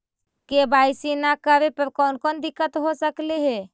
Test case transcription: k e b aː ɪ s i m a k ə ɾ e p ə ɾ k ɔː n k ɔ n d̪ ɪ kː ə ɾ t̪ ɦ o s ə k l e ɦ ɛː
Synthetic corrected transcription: k e b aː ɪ s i n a k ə ɾ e p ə ɾ k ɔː n k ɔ n d̪ ɪ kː ə t̪ ɦ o s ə k l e ɦ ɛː